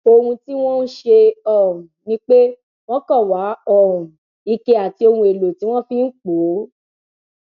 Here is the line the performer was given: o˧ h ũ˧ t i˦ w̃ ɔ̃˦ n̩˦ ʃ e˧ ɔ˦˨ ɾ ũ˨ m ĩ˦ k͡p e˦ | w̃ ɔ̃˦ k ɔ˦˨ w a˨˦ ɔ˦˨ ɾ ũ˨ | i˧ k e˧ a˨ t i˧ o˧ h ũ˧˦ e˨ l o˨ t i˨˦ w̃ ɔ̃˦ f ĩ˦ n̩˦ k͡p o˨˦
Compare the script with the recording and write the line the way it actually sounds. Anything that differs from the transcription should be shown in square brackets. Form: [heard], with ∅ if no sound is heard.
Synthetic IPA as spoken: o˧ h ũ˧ t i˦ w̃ ɔ̃˦ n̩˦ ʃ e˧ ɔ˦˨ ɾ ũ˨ [n] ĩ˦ k͡p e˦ | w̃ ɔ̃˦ k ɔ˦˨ w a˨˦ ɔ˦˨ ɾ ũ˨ | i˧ k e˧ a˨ t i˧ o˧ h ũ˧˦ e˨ l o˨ t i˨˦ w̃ ɔ̃˦ f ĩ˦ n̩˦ k͡p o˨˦